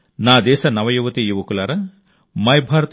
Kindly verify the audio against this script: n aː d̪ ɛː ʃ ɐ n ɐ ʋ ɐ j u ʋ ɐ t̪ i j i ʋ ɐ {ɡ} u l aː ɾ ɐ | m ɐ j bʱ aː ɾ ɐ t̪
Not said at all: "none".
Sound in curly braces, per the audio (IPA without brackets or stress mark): k